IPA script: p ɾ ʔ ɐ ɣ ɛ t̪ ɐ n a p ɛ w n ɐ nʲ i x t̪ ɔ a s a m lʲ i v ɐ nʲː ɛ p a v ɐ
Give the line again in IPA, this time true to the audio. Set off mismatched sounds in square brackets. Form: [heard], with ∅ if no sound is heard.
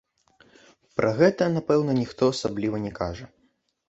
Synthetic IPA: p ɾ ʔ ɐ ɣ ɛ t̪ ɐ n a p ɛ w n ɐ nʲ i x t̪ ɔ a s a [b] lʲ i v ɐ [nʲ] ɛ [k] a [ʐ] ɐ